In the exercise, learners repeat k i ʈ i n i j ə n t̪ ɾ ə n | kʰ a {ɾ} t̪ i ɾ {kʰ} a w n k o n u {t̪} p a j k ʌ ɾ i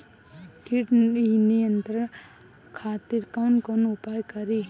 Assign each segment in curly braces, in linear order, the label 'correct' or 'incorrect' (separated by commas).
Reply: incorrect, incorrect, incorrect